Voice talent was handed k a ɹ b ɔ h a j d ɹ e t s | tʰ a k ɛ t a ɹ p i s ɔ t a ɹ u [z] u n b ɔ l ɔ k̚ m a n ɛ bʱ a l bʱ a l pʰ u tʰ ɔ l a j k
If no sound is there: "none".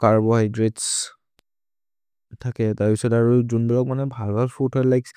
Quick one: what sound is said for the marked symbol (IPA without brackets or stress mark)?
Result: z